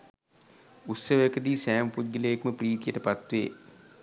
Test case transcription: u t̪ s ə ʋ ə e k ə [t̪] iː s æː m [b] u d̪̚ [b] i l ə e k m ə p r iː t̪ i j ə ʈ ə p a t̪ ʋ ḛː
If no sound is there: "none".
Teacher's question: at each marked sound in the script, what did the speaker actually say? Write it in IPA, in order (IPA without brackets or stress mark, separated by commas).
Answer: d̪, p, ɡ